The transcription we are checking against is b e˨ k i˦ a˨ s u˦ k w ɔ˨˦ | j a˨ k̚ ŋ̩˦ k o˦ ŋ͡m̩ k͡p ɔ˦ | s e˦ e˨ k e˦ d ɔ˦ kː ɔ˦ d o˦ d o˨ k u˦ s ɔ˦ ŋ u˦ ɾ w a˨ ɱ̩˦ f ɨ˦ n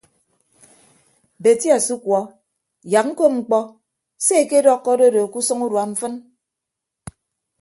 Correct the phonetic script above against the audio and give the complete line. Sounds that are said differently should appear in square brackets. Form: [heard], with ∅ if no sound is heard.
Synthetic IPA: b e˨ [t] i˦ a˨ s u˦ k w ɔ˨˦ | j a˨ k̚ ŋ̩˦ k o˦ ŋ͡m̩ k͡p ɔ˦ | s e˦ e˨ k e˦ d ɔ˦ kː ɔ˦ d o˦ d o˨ k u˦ s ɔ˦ ŋ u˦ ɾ w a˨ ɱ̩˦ f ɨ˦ n